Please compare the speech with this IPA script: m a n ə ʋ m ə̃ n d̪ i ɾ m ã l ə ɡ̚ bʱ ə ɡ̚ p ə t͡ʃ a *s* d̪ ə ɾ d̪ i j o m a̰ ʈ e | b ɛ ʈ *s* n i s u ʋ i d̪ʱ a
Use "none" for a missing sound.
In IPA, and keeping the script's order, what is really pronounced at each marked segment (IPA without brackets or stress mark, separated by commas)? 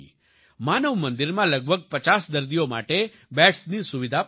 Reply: s, s